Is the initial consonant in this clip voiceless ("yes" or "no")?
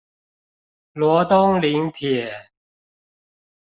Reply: no